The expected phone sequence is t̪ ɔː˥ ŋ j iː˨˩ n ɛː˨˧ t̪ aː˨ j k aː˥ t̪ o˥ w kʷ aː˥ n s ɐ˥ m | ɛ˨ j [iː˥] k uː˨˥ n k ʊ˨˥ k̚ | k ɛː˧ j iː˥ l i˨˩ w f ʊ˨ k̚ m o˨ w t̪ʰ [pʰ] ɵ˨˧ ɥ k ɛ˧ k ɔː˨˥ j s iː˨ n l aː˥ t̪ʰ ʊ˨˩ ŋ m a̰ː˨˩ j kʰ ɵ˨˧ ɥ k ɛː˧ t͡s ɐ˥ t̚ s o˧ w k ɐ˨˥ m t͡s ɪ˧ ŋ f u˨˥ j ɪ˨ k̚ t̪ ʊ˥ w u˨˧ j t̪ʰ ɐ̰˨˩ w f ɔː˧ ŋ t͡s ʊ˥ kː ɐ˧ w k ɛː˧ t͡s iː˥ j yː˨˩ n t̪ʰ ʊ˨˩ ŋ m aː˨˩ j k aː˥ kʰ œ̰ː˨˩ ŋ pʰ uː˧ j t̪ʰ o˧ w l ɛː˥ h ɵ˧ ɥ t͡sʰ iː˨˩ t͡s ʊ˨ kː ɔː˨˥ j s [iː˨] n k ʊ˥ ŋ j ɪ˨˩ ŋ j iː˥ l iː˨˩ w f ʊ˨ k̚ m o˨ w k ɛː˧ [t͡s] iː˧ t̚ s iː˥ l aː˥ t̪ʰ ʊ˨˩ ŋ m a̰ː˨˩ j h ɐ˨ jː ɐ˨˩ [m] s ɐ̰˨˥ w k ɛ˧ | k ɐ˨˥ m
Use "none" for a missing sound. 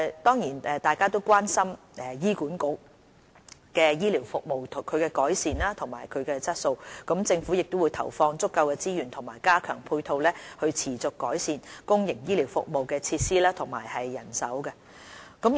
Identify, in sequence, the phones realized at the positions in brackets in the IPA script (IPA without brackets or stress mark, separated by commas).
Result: iː˥, kʰ, iː˨, t͡sʰ, n